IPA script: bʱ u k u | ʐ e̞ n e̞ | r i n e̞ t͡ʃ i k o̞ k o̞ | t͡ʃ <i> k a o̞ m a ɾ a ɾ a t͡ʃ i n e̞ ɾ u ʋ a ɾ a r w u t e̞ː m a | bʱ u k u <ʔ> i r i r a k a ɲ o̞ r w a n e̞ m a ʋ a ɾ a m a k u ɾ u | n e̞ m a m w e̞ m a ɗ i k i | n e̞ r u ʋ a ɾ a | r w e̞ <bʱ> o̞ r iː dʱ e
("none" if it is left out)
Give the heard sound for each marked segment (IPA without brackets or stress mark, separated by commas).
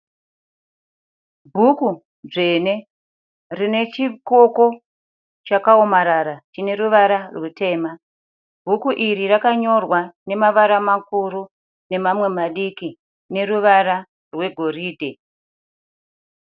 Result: a, ʔ, ɡʱ